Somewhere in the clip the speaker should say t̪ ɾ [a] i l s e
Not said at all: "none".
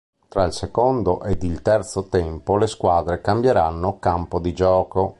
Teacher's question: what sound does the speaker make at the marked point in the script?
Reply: a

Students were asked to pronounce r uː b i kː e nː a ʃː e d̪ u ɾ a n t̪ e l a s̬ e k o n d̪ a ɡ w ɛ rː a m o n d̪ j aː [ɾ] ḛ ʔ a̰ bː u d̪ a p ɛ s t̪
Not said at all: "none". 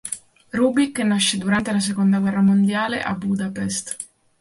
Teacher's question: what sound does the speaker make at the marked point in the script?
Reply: l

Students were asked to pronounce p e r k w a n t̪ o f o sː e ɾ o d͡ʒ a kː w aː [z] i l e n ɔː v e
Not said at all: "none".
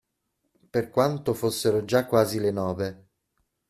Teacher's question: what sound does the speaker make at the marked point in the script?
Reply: z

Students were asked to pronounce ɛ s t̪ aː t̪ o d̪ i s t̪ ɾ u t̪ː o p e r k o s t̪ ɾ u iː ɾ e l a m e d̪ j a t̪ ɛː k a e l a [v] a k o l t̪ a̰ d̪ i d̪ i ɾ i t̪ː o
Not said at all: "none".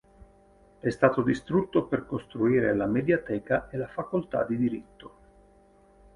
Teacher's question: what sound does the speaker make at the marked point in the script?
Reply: f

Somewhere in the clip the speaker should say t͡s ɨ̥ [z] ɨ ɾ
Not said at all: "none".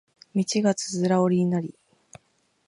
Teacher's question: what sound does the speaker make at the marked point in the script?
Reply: z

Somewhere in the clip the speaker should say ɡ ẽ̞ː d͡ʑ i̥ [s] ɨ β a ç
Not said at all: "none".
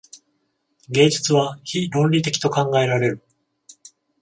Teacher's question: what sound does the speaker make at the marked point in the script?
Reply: t͡s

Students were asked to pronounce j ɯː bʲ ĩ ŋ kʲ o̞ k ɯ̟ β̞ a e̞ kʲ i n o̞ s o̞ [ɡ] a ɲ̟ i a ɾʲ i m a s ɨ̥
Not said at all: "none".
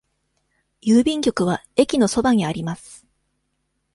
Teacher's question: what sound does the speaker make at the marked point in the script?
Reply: b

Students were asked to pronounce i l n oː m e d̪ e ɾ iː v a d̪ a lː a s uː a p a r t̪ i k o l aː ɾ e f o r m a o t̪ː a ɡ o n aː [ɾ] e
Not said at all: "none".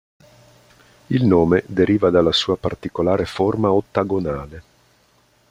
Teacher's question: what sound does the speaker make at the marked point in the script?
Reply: l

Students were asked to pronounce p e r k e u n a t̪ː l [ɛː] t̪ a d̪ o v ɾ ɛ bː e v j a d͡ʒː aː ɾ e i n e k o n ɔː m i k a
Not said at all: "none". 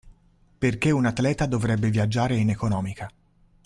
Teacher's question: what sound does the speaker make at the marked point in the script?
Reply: ɛː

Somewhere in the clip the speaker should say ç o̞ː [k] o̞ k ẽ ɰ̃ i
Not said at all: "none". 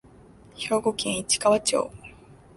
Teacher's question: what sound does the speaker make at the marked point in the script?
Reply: ɡ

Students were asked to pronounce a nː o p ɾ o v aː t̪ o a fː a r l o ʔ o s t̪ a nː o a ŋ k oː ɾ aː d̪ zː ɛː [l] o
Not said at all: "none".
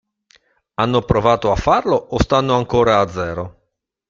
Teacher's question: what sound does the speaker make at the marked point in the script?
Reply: ɾ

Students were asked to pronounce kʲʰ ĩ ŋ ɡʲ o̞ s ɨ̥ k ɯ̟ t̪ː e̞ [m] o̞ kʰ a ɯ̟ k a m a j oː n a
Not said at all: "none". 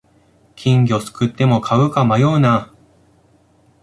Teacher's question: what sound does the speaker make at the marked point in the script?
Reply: m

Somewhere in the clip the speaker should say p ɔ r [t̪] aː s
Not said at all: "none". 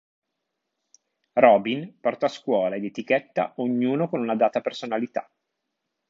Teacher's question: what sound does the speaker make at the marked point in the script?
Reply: t̪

